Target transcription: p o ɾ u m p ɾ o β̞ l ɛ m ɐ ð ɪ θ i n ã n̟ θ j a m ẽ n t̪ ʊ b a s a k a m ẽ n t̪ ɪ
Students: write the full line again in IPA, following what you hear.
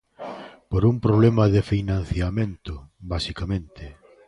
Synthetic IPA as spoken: p o ɾ u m p ɾ o β̞ l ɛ m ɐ ð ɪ f i n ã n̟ θ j a m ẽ n t̪ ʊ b a s i k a m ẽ n t̪ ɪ